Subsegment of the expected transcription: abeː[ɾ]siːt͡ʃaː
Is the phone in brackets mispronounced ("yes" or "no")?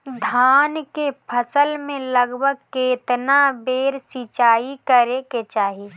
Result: no